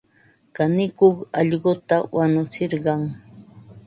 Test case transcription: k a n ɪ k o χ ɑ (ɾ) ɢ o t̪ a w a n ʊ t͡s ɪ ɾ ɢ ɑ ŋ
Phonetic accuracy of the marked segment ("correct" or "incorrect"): incorrect